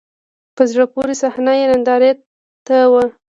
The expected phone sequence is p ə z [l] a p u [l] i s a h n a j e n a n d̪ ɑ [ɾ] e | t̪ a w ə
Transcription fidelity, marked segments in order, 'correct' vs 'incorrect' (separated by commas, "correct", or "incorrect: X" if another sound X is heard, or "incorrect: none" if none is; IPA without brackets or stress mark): incorrect: ɽ, incorrect: ɾ, correct